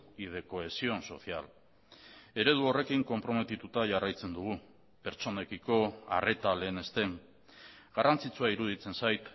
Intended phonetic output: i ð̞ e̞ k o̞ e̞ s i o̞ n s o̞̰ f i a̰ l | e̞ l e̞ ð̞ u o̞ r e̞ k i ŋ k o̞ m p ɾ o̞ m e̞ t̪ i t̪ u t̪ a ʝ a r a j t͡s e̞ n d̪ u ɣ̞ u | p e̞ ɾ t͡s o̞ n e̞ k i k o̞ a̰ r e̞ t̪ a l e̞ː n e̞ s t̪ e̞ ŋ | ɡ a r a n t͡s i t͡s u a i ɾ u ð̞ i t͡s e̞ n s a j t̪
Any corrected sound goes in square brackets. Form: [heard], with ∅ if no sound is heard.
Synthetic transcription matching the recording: i ð̞ e̞ k o̞ e̞ s i o̞ n s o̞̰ [θ] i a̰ l | e̞ [ɾ] e̞ ð̞ u o̞ r e̞ k i ŋ k o̞ m p ɾ o̞ m e̞ t̪ i t̪ u t̪ a ʝ a r a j t͡s e̞ n d̪ u ɣ̞ u | p e̞ ɾ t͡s o̞ n e̞ k i k o̞ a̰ r e̞ t̪ a l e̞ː n e̞ s t̪ e̞ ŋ | ɡ a r a n t͡s i t͡s u a i ɾ u ð̞ i t͡s e̞ n s a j t̪

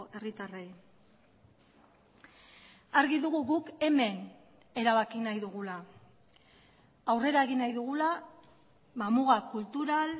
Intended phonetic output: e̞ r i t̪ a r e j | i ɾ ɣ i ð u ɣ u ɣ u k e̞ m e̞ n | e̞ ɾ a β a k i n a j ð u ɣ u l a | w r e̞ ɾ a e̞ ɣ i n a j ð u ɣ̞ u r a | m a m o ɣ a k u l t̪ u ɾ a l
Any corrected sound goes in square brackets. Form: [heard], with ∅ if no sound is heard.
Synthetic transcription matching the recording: e̞ r i t̪ a r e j | [a] ɾ ɣ i ð u ɣ u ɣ u k e̞ m e̞ n | e̞ ɾ a β a k i n a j ð u ɣ u l a | w r e̞ ɾ a e̞ ɣ i n a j ð u ɣ̞ u [l] a | m a m [u] ɣ a k u l t̪ u ɾ a l

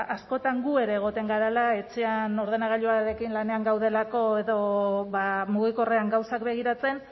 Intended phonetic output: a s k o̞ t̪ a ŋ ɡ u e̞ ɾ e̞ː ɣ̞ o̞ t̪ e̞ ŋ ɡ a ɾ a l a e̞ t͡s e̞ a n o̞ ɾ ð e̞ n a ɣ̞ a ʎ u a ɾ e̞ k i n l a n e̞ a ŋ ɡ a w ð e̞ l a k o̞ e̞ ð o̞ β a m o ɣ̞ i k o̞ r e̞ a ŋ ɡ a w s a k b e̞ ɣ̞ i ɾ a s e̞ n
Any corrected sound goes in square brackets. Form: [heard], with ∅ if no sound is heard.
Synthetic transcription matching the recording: a s k o̞ t̪ a ŋ ɡ u e̞ ɾ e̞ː ɣ̞ o̞ t̪ e̞ ŋ ɡ a ɾ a l a e̞ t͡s e̞ a n o̞ ɾ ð e̞ n a ɣ̞ a ʎ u a ɾ e̞ k i n l a n e̞ a ŋ ɡ a w ð e̞ l a k o̞ e̞ ð o̞ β a m [u] ɣ̞ i k o̞ r e̞ a ŋ ɡ a w s a k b e̞ ɣ̞ i ɾ a [t͡s] e̞ n

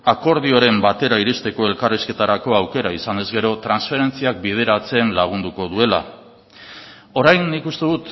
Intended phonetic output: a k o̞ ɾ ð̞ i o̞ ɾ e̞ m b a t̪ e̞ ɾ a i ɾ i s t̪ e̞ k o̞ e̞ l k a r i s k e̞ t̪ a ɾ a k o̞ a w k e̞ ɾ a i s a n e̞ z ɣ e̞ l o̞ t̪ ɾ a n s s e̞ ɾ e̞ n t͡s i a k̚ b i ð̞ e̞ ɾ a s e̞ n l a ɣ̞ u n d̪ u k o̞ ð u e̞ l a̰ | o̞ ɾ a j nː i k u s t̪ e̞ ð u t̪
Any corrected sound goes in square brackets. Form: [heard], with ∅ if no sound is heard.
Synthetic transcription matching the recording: a k o̞ ɾ ð̞ i o̞ ɾ e̞ m b a t̪ e̞ ɾ a i ɾ i s t̪ e̞ k o̞ e̞ l k a r i s k e̞ t̪ a ɾ a k o̞ a w k e̞ ɾ a i s a n e̞ z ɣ e̞ [ɾ] o̞ t̪ ɾ a n s [f] e̞ ɾ e̞ n t͡s i a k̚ b i ð̞ e̞ ɾ a [t͡s] e̞ n l a ɣ̞ u n d̪ u k o̞ ð u e̞ l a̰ | o̞ ɾ a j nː i k u s t̪ e̞ ð u t̪

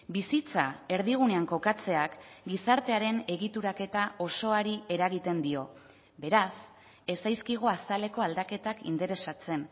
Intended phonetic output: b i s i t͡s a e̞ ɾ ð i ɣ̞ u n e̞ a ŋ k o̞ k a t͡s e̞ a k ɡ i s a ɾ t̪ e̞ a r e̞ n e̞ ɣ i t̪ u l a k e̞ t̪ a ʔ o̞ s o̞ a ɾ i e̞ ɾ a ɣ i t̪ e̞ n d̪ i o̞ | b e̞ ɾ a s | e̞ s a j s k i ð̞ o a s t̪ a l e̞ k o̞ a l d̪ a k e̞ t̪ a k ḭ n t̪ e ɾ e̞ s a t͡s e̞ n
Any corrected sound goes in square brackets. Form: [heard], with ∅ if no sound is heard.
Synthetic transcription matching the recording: b i s i t͡s a e̞ ɾ ð i ɣ̞ u n e̞ a ŋ k o̞ k a t͡s e̞ a k ɡ i s a ɾ t̪ e̞ a [ɾ] e̞ n e̞ ɣ i t̪ u [ɾ] a k e̞ t̪ a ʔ o̞ s o̞ a ɾ i e̞ ɾ a ɣ i t̪ e̞ n d̪ i o̞ | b e̞ ɾ a s | e̞ s a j s k i [ɣ̞] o a s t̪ a l e̞ k o̞ a l d̪ a k e̞ t̪ a k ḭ n t̪ e ɾ e̞ s a t͡s e̞ n

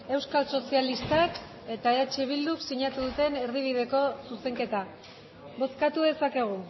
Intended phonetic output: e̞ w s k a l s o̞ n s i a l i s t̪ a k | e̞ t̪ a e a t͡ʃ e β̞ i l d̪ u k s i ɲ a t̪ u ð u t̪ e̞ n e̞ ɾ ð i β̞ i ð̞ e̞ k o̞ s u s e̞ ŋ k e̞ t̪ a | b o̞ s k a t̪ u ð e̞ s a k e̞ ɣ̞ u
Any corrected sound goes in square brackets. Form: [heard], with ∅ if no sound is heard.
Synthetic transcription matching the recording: e̞ w s k a l s o̞ [∅] s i a l i s t̪ a k | e̞ t̪ a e a t͡ʃ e β̞ i l d̪ u k s i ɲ a t̪ u ð u t̪ e̞ n e̞ ɾ ð i β̞ i ð̞ e̞ k o̞ s u s e̞ ŋ k e̞ t̪ a | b o̞ s k a t̪ u ð e̞ s a k e̞ ɣ̞ u

